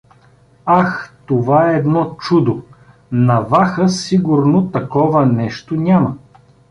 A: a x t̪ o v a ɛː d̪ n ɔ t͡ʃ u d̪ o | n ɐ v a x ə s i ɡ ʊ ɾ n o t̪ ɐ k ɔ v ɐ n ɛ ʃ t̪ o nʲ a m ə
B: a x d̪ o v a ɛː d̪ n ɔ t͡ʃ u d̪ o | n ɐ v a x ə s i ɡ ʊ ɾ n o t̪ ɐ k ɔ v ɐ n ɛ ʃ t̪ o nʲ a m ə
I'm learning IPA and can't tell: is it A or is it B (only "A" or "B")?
A